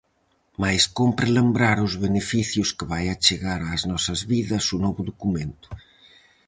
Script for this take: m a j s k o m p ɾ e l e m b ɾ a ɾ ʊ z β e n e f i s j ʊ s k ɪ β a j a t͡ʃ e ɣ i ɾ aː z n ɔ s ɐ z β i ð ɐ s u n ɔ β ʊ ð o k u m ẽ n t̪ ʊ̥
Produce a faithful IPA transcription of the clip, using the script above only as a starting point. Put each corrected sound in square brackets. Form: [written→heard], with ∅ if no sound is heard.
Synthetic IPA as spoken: m a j s k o m p ɾ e l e m b ɾ a ɾ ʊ z β e n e f i [s→θ] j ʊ s k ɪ β a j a t͡ʃ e ɣ [i→a] ɾ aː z n ɔ s ɐ z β i ð ɐ s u n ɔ β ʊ ð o k u m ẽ n t̪ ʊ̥

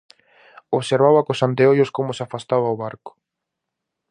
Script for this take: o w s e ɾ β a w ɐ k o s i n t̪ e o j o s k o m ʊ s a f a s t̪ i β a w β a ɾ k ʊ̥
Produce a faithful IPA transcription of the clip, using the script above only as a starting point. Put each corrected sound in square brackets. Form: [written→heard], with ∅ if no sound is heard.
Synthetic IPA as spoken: o [w→β] s e ɾ β a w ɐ k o s [i→a] n t̪ e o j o s k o m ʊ s a f a s t̪ [i→a] β a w β a ɾ k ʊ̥

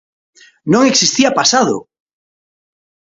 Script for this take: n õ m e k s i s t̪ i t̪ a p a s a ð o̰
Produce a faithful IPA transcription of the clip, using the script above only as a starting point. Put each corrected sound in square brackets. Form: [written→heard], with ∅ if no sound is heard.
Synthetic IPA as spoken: n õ [m→ŋ] e k s i s t̪ i [t̪→∅] a p a s a ð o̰

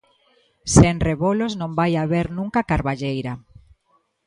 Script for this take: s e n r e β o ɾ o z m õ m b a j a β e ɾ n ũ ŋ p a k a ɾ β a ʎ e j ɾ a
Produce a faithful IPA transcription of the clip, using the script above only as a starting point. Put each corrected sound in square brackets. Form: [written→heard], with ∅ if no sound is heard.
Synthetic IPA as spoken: s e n r e β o [ɾ→l] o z [m→n] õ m b a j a β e ɾ n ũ ŋ [p→k] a k a ɾ β a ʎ e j ɾ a

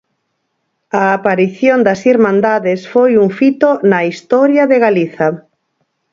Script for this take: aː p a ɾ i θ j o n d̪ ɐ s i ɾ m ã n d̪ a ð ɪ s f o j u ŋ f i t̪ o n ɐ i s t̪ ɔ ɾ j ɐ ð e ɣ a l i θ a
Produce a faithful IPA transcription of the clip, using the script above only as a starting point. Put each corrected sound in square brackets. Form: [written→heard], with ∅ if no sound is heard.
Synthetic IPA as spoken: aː p a ɾ i θ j o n d̪ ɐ s i ɾ m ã n d̪ a ð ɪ s f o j u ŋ f i t̪ o n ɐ i s t̪ ɔ ɾ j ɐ ð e ɣ a l i θ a

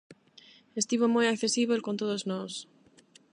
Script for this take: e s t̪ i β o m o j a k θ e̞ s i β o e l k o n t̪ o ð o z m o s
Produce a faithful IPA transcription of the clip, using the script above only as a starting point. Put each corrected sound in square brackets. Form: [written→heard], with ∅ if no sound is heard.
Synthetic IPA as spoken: e s t̪ i β o m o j a k θ e̞ s i β o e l k o n t̪ o ð o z [m→n] o s

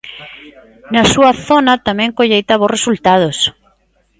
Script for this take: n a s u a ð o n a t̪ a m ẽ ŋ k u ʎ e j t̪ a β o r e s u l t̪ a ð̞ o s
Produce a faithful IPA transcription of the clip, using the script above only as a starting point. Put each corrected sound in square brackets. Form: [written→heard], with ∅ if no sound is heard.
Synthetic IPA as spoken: n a s u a [ð→θ] o n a t̪ a m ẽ ŋ k [u→o] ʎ e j t̪ a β o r e s u l t̪ a ð̞ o s

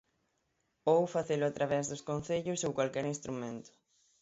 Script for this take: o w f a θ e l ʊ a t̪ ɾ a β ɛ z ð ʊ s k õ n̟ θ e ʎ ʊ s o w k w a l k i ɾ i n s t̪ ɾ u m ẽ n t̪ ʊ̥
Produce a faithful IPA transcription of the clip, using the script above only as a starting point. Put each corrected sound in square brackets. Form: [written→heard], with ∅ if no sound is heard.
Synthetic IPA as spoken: o w f a θ e l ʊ a t̪ ɾ a β ɛ z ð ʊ s k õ n̟ θ e ʎ ʊ s o w k w a l k [i→ɛ] ɾ i n s t̪ ɾ u m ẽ n t̪ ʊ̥

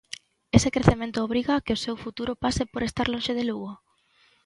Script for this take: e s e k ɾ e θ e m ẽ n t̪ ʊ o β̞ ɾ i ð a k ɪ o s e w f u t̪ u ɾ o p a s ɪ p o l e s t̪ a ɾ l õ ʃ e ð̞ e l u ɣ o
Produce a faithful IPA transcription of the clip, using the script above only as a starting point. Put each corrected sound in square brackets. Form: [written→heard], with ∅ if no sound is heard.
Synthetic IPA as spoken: e s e k ɾ e θ e m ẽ n t̪ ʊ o β̞ ɾ i [ð→ɣ] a k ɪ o s e w f u t̪ u ɾ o p a s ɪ p o [l→ɾ] e s t̪ a ɾ l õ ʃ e ð̞ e l u ɣ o

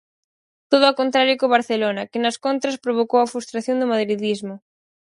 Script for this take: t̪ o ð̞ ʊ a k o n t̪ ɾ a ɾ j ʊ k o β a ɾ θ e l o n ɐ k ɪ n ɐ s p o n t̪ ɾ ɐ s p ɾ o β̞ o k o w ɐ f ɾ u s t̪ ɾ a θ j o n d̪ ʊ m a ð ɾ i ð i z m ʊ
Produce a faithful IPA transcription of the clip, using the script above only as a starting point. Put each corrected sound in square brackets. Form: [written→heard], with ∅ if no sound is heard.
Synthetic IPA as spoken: t̪ o ð̞ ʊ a k o n t̪ ɾ a ɾ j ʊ k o β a ɾ θ e l o n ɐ k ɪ n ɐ s [p→k] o n t̪ ɾ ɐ s p ɾ o β̞ o k o w ɐ f ɾ u s t̪ ɾ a θ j o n d̪ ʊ m a ð ɾ i ð i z m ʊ

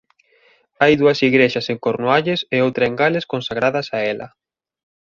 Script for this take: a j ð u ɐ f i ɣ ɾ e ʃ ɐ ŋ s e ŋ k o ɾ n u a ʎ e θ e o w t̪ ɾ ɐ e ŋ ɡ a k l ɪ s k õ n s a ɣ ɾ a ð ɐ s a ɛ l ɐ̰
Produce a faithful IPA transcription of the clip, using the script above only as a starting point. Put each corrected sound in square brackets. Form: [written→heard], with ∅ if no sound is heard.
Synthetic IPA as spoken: a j ð u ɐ [f→s] i ɣ ɾ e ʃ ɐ [ŋ→∅] s e ŋ k o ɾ n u a ʎ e [θ→s] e o w t̪ ɾ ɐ e ŋ ɡ a [k→∅] l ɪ s k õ n s a ɣ ɾ a ð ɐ s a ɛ l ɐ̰

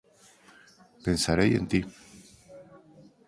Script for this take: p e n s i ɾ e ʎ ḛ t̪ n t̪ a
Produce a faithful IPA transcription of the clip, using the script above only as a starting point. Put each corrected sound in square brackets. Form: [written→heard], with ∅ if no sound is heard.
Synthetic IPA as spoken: p e n s [i→a] ɾ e [ʎ→j] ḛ [t̪→∅] n t̪ [a→i]

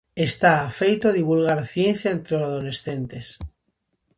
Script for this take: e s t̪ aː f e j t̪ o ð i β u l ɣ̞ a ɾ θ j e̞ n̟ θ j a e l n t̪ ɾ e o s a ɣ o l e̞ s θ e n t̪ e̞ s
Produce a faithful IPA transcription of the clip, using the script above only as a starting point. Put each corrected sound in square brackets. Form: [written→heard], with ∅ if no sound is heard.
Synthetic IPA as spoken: e s t̪ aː f e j t̪ o ð i β u l ɣ̞ a ɾ θ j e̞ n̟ θ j a e [l→∅] n t̪ ɾ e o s a [ɣ→ð] o l e̞ s θ e n t̪ e̞ s

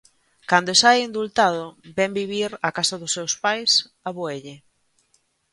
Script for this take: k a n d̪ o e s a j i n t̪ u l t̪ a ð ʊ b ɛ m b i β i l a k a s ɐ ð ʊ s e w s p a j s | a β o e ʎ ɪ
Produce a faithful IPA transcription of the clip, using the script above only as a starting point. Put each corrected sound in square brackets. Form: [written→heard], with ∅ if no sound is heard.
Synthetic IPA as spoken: k a n d̪ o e s a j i n [t̪→d̪] u l t̪ a ð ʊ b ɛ m b i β i [l→ɾ] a k a s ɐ ð ʊ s e w s p a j s | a β o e ʎ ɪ

